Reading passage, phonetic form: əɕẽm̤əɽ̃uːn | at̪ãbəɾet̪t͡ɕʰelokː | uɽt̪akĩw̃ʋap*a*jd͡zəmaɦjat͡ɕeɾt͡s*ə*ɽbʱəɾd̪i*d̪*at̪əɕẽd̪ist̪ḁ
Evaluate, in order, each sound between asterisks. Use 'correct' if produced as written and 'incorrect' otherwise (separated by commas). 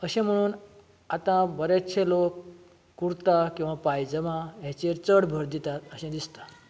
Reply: correct, correct, incorrect